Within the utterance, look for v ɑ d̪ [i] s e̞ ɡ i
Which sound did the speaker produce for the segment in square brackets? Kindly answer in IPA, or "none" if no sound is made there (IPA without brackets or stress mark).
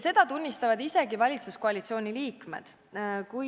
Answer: i